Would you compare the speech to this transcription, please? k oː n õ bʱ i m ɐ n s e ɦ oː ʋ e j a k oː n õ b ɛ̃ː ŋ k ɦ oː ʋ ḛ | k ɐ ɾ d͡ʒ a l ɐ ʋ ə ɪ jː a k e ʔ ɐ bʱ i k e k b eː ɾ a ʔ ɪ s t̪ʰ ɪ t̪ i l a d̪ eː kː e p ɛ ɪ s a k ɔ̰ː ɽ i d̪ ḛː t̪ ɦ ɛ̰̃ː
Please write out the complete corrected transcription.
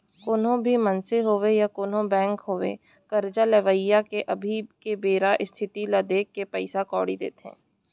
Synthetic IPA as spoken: k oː n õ bʱ i m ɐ n s e ɦ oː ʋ e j a k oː n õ b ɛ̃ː ŋ k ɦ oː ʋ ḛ | k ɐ ɾ d͡ʒ a l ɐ ʋ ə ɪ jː a k e ʔ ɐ bʱ i k e b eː ɾ a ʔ ɪ s t̪ʰ ɪ t̪ i l a d̪ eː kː e p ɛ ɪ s a k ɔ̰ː ɽ i d̪ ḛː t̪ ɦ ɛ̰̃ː